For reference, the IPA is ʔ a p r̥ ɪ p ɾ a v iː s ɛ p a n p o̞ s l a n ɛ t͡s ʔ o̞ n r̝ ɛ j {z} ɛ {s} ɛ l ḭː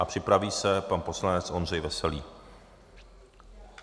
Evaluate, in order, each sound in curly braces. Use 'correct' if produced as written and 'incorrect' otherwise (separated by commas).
incorrect, correct